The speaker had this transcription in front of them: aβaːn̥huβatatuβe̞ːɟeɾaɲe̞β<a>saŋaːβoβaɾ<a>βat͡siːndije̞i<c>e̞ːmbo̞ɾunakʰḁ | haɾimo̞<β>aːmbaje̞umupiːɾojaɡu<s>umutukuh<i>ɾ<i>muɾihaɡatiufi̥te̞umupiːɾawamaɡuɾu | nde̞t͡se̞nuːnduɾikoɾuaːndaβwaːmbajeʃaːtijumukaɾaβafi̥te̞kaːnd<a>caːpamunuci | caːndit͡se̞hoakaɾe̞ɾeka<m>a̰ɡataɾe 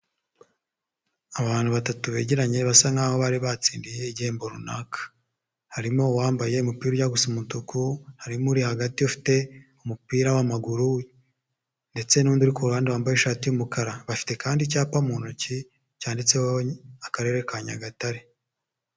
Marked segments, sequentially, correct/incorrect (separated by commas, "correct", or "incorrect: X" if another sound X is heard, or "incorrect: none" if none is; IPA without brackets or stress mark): correct, incorrect: i, incorrect: ɟ, incorrect: w, correct, incorrect: a, correct, incorrect: i, incorrect: ɲ